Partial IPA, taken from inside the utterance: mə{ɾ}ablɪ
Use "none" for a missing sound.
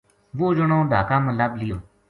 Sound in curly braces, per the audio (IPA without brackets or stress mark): l